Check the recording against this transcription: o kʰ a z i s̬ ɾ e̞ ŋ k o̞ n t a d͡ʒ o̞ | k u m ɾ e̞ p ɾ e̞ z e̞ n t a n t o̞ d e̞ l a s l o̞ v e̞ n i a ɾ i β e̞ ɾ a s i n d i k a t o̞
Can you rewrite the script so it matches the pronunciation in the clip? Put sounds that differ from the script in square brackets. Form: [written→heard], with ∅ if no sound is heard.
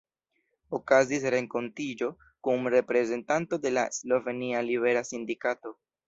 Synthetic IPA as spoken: o [kʰ→k] a z i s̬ ɾ e̞ ŋ k o̞ n t [a→i] d͡ʒ o̞ | k u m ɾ e̞ p ɾ e̞ z e̞ n t a n t o̞ d e̞ l a s l o̞ v e̞ n i a [ɾ→l] i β e̞ ɾ a s i n d i k a t o̞